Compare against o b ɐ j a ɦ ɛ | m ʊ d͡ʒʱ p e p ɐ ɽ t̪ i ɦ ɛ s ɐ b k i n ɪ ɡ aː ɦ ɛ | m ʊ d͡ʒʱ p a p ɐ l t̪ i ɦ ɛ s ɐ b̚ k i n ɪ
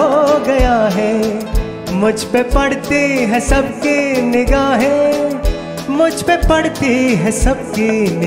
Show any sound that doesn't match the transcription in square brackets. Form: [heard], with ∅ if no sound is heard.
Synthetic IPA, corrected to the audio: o [ɡ] ɐ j a ɦ ɛ | m ʊ d͡ʒʱ p e p ɐ ɽ t̪ i ɦ ɛ s ɐ b k i n ɪ ɡ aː ɦ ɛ | m ʊ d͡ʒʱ p [e] p ɐ [ɽ] t̪ i ɦ ɛ s ɐ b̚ k i n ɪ